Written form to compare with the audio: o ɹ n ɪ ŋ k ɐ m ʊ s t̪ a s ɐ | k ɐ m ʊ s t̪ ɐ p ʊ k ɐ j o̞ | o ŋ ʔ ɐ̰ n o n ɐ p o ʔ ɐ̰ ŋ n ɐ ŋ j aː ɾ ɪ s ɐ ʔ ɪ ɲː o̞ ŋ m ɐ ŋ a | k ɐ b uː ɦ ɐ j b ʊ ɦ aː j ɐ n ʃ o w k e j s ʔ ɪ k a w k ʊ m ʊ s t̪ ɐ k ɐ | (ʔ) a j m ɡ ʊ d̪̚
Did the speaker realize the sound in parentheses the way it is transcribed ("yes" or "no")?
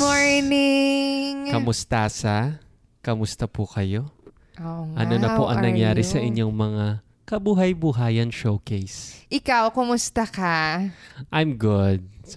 yes